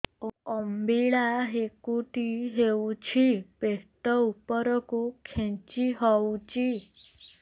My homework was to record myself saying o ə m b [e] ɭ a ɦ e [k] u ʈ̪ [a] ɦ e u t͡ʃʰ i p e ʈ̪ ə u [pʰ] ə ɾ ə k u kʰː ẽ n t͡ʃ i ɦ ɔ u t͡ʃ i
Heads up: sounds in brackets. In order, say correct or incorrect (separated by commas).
incorrect, correct, incorrect, incorrect